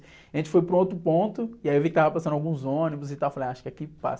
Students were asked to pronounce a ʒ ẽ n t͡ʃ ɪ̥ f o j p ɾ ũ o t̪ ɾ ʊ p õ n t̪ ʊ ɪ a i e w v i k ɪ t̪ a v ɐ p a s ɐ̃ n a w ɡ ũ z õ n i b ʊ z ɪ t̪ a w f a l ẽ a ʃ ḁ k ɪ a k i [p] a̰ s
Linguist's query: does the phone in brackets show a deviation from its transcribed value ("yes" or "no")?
no